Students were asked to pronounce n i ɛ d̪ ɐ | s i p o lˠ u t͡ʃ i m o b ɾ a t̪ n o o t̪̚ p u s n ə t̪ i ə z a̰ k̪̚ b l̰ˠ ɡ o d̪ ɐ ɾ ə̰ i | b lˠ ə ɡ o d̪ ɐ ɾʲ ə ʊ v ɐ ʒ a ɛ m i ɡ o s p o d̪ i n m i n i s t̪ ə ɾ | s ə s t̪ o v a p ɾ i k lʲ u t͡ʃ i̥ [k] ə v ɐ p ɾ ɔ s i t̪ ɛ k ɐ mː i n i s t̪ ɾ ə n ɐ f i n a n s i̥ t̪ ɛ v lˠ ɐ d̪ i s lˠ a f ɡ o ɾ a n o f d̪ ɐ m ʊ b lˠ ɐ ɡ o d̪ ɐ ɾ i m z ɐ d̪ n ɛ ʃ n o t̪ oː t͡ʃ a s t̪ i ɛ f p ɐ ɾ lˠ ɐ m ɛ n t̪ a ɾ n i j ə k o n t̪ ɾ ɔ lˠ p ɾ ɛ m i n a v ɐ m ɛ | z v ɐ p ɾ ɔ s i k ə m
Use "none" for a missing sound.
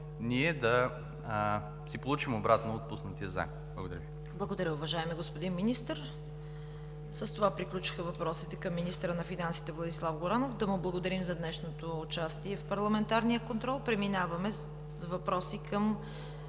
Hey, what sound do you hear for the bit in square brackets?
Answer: x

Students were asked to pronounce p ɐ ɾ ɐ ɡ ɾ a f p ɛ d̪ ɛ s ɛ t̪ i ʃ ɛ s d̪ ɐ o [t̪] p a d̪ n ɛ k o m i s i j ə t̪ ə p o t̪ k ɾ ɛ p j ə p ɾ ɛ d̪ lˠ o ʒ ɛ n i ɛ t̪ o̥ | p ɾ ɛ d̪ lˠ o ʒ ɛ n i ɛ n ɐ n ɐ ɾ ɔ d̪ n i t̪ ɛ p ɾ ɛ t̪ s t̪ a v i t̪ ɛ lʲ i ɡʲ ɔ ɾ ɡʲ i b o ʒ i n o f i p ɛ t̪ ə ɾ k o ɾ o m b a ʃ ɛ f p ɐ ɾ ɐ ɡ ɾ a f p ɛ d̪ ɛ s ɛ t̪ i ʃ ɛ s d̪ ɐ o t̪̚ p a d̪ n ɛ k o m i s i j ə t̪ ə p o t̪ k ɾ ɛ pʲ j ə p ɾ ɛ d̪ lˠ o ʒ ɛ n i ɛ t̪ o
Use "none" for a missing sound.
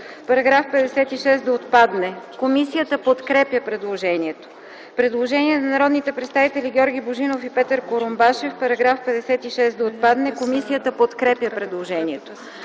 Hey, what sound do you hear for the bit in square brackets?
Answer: t̪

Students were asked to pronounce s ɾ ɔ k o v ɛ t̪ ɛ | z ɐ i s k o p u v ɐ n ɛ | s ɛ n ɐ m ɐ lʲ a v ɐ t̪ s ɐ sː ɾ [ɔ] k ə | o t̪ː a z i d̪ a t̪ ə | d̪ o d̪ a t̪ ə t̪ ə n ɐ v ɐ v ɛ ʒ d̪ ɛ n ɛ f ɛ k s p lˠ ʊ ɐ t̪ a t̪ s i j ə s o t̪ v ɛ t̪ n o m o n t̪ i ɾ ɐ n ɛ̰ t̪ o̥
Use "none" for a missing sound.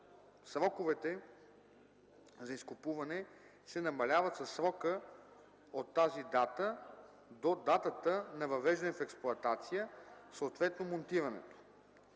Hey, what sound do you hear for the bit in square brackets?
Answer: ɔ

